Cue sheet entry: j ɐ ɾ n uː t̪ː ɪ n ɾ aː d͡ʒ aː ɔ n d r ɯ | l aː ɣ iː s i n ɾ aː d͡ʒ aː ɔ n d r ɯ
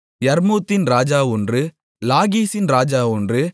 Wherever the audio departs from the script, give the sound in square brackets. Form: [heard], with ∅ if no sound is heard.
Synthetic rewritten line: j ɐ ɾ [m] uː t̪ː ɪ n ɾ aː d͡ʒ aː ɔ n d r ɯ | l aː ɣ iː s [ɪ] n ɾ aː d͡ʒ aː ɔ n d r ɯ

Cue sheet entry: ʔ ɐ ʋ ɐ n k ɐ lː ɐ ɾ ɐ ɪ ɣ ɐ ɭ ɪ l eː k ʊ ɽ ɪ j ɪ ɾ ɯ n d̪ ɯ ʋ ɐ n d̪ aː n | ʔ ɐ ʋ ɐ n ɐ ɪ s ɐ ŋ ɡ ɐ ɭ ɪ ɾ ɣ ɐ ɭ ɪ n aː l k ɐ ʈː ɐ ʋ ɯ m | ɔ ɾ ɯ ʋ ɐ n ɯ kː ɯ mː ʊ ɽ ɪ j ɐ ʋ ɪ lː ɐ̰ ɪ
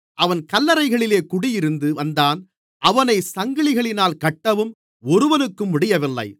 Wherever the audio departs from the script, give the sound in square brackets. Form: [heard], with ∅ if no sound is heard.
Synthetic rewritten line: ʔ ɐ ʋ ɐ n k ɐ lː ɐ ɾ ɐ ɪ ɣ ɐ ɭ ɪ l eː k ʊ ɽ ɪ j ɪ ɾ ɯ n d̪ ɯ ʋ ɐ n d̪ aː n | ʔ ɐ ʋ ɐ n ɐ ɪ s ɐ ŋ ɡ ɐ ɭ ɪ [∅] ɣ ɐ ɭ ɪ n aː l k ɐ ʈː ɐ ʋ ɯ m | ɔ ɾ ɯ ʋ ɐ n ɯ kː ɯ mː ʊ ɽ ɪ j ɐ ʋ ɪ lː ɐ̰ ɪ

